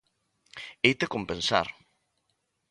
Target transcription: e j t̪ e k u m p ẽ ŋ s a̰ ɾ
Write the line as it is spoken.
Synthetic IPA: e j t̪ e k o m p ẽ n s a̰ ɾ